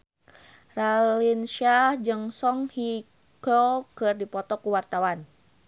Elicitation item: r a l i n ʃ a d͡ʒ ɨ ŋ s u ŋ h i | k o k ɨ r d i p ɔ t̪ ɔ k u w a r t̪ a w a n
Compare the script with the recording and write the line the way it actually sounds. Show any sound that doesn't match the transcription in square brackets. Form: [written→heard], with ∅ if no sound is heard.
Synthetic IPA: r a l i n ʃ a d͡ʒ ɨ ŋ s [u→ɔ] ŋ h i | k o k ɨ r d i p ɔ t̪ ɔ k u w a r t̪ a w a n